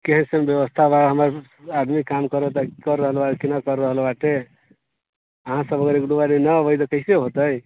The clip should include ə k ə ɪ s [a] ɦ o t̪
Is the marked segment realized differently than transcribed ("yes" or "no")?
yes